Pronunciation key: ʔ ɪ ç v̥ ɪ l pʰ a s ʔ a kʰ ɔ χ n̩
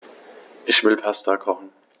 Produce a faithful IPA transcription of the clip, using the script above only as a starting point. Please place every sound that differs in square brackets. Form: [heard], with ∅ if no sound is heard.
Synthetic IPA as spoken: ʔ ɪ ç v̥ ɪ l pʰ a s [t] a kʰ ɔ χ n̩

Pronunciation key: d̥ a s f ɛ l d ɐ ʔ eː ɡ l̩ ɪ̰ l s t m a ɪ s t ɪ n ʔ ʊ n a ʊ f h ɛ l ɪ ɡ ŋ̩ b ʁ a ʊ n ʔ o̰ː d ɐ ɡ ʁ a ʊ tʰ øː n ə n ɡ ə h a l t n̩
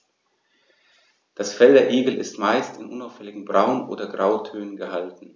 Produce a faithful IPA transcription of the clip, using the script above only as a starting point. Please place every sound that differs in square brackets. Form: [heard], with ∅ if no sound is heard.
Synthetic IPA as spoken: d̥ a s f ɛ l d ɐ ʔ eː ɡ l̩ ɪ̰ [∅] s t m a ɪ s t ɪ n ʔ ʊ n a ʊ f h ɛ l ɪ ɡ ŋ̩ b ʁ a ʊ n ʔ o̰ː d ɐ ɡ ʁ a ʊ tʰ øː n ə n ɡ ə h a l t n̩

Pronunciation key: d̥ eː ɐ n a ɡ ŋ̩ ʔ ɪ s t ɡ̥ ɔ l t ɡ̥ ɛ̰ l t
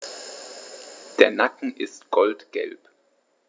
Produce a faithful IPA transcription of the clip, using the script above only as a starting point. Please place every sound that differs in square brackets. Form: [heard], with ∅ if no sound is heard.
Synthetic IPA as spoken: d̥ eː ɐ n a [k] ŋ̩ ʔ ɪ s t ɡ̥ ɔ l t ɡ̥ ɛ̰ l [p]

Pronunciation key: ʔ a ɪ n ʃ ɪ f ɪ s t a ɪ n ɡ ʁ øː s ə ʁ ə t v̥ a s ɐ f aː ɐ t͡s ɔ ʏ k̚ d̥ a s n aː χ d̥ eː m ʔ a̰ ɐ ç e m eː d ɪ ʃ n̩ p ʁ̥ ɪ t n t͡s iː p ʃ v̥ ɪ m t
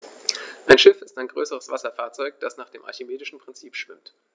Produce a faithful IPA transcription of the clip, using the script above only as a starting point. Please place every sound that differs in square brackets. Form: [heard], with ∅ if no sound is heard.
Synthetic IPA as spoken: ʔ a ɪ n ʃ ɪ f ɪ s t a ɪ n ɡ ʁ øː s ə ʁ ə [s] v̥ a s ɐ f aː ɐ t͡s ɔ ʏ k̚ d̥ a s n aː χ d̥ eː m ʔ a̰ ɐ ç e m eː d ɪ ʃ n̩ p ʁ̥ ɪ [∅] n t͡s iː p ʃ v̥ ɪ m t

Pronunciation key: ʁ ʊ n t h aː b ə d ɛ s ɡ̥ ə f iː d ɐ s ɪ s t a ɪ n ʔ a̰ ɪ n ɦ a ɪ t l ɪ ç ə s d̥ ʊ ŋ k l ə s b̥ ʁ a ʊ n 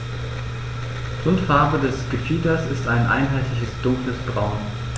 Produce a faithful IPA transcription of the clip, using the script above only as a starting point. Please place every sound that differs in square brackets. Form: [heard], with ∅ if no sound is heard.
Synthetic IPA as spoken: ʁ ʊ n t [f] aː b ə d ɛ s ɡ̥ ə f iː d ɐ s ɪ s t a ɪ n ʔ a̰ ɪ n ɦ a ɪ t l ɪ ç ə s d̥ ʊ ŋ k l ə s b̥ ʁ a ʊ n

